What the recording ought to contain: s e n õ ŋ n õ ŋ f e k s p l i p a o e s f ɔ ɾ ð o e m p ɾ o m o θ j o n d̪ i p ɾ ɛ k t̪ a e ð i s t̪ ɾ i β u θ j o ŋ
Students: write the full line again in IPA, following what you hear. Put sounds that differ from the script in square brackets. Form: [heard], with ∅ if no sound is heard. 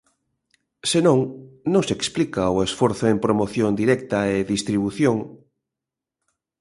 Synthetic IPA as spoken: s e n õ ŋ n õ ŋ [s] e k s p l i [k] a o e s f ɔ ɾ [θ] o e m p ɾ o m o θ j o n d̪ i [∅] ɾ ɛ k t̪ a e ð i s t̪ ɾ i β u θ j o ŋ